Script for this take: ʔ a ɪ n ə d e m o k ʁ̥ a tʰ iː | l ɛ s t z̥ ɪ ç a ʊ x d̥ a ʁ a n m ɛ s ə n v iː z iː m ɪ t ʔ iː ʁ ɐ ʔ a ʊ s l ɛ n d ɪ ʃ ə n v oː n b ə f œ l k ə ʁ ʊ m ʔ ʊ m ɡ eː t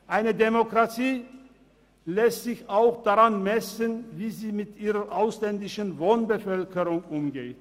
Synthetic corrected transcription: ʔ a ɪ n ə d e m o k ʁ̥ a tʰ iː | l ɛ s t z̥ ɪ ç a ʊ x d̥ a ʁ a n m ɛ s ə n v iː z iː m ɪ t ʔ iː ʁ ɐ ʔ a ʊ s l ɛ n d ɪ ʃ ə n v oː n b ə f œ l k ə ʁ ʊ ŋ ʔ ʊ m ɡ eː t

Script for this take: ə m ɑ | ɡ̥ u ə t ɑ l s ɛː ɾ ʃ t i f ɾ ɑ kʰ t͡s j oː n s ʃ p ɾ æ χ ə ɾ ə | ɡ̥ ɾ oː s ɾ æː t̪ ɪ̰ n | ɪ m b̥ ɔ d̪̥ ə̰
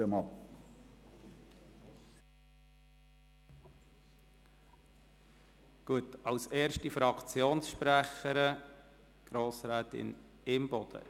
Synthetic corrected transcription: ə m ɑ | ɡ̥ u ə t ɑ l s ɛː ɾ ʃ t i f ɾ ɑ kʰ t͡s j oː n s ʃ p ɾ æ χ ə ɾ ə | ɡ̥ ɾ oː s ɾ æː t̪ ɪ̰ n | ɪ m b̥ ɔ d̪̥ ə̰

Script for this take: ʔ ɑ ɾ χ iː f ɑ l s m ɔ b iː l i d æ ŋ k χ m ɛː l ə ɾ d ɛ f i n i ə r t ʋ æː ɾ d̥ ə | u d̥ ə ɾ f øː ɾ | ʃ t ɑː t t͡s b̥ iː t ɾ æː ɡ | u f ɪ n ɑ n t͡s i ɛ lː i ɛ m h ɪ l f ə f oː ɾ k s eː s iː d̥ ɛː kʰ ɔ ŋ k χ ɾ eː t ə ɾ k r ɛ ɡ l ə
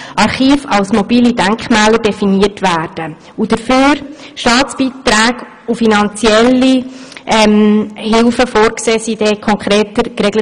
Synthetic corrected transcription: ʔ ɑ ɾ χ iː f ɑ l s m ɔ b iː l i d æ ŋ k χ m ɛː l ə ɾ d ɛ f i n i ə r t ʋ æː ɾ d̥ ə | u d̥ ə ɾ f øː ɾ | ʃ t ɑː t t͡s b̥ iː t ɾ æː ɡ | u f i n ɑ n t͡s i ɛ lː i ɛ m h ɪ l f ə f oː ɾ k s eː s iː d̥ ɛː kʰ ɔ ŋ k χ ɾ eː t ə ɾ k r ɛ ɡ l ə

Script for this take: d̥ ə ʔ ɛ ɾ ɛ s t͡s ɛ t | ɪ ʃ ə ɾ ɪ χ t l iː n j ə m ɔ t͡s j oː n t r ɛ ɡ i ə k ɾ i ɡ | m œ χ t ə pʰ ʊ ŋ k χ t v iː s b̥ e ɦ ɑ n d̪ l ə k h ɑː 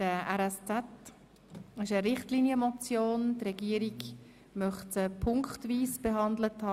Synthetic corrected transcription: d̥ ə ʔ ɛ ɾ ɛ s t͡s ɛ t | ɪ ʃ ə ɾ ɪ χ t l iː n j ə m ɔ t͡s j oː n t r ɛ ɡ i ə ɾ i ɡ | m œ χ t ə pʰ ʊ ŋ k χ t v iː s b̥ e ɦ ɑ n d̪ l ə t h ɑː

